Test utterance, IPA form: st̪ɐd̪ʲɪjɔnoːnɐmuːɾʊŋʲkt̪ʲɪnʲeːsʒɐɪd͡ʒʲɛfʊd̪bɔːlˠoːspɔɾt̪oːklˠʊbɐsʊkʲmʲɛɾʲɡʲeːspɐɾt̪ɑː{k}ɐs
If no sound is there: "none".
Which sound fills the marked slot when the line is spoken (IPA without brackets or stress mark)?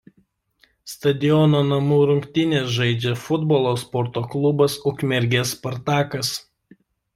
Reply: k